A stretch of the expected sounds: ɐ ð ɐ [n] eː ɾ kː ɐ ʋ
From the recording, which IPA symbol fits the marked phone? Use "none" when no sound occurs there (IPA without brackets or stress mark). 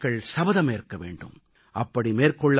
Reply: m